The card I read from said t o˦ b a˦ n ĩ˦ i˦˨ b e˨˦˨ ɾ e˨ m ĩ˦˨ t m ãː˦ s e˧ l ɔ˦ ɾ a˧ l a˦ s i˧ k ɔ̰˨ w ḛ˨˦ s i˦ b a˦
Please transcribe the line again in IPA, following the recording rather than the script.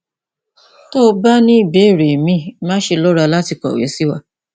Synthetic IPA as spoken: t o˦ b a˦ n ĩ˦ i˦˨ b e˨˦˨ ɾ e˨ m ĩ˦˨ m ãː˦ ʃ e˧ l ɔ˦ ɾ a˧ l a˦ t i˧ k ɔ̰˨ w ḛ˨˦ s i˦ w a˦